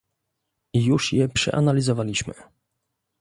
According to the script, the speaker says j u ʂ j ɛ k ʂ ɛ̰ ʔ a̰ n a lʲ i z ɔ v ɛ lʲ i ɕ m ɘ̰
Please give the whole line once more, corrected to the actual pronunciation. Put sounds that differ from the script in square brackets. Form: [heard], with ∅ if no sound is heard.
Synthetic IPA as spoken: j u ʂ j ɛ [p] ʂ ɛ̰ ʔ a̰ n a lʲ i z ɔ v [a] lʲ i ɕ m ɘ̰